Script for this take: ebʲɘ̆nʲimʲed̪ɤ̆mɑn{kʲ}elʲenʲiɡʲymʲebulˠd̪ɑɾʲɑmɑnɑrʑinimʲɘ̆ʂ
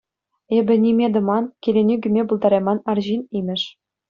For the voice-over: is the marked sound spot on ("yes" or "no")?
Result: yes